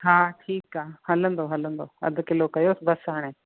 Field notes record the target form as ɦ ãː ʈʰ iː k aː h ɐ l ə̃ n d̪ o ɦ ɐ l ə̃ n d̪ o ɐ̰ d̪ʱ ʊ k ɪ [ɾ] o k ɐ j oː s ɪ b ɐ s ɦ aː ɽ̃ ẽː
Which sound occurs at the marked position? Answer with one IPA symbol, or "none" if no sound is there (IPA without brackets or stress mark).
l